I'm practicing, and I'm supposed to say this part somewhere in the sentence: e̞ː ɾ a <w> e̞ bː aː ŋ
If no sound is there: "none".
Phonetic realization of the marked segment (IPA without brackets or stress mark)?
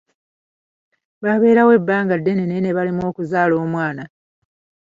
w